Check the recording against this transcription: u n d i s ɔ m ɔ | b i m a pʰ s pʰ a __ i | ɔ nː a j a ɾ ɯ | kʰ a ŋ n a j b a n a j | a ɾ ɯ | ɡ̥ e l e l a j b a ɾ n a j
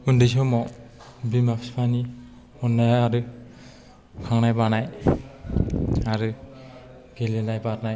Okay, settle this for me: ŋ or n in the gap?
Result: n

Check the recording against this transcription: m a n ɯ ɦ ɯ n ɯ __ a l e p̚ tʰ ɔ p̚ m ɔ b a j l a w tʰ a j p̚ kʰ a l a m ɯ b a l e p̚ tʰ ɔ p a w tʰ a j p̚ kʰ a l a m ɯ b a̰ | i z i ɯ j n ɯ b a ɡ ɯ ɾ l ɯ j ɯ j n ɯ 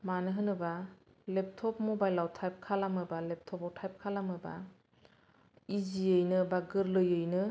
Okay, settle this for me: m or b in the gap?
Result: b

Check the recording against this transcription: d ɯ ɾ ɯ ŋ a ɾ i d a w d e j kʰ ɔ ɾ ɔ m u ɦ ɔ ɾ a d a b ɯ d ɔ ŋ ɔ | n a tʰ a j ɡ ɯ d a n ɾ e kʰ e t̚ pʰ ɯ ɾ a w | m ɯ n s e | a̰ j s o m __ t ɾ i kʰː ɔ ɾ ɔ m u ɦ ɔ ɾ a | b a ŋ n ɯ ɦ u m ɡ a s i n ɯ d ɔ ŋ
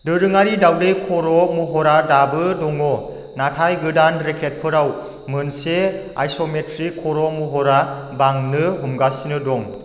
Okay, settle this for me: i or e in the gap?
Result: e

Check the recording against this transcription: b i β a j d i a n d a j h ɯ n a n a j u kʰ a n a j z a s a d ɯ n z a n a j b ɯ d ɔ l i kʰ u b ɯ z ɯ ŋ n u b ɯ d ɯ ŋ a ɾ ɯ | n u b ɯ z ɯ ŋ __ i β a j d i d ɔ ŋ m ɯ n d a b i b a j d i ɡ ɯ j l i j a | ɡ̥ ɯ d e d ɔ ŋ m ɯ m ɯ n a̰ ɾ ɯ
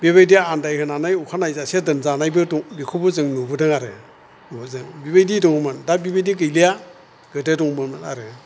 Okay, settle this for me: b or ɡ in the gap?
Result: b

